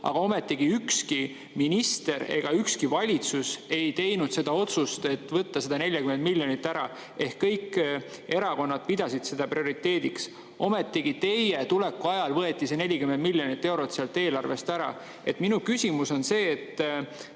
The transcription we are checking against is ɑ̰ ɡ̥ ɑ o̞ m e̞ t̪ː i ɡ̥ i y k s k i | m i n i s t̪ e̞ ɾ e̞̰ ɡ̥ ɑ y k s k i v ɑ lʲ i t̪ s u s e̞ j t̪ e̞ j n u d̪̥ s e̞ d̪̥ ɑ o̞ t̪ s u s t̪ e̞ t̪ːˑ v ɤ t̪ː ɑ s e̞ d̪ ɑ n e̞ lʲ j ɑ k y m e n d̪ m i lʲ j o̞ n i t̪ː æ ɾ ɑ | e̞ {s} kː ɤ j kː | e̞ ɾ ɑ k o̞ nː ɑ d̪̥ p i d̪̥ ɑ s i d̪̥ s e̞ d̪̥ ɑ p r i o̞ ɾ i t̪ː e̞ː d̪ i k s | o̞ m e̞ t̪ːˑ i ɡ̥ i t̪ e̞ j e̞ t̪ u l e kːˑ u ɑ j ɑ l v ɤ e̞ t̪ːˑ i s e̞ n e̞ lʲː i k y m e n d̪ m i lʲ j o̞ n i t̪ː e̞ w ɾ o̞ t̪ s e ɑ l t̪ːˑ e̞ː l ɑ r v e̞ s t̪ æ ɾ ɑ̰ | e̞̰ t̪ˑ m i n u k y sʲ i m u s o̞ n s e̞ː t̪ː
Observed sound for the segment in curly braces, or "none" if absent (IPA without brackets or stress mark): h